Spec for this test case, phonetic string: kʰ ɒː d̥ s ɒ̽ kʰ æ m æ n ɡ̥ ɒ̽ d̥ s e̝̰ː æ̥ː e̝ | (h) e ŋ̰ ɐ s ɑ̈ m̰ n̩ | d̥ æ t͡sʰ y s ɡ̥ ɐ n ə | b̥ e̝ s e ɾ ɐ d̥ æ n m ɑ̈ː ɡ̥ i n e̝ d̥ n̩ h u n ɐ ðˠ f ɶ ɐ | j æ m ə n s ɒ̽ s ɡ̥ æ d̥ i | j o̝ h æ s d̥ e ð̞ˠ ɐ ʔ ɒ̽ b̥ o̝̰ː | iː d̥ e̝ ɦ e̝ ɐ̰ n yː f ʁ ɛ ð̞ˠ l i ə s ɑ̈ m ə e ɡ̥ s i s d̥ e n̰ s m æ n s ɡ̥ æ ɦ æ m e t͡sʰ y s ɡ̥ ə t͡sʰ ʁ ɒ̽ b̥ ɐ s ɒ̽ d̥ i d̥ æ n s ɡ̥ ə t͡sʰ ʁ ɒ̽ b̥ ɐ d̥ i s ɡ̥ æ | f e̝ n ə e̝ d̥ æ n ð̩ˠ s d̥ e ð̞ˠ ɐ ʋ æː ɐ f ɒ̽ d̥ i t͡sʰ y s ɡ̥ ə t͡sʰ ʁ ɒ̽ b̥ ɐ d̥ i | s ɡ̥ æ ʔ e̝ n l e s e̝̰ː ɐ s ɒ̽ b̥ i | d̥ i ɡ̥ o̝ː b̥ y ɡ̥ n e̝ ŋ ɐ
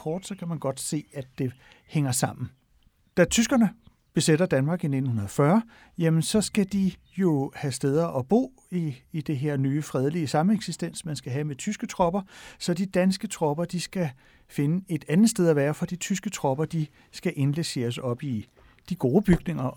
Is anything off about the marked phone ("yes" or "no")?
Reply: no